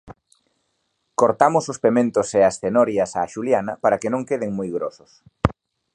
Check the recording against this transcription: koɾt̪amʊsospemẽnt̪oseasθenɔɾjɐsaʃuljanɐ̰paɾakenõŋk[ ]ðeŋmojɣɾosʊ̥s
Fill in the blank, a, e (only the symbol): e